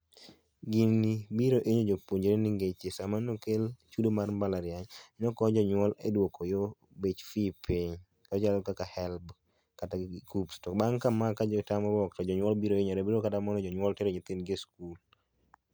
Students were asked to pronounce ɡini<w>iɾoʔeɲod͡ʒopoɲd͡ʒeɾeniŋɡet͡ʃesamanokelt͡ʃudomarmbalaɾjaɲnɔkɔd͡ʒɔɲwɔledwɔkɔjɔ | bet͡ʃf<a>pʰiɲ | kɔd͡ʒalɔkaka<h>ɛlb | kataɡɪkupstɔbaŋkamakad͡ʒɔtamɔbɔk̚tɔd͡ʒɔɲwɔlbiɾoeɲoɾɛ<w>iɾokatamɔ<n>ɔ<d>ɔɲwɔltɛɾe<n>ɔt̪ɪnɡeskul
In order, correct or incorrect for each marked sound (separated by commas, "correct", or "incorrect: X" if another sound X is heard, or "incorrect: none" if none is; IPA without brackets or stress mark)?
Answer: incorrect: b, incorrect: i, correct, incorrect: b, correct, incorrect: d͡ʒ, incorrect: ɲ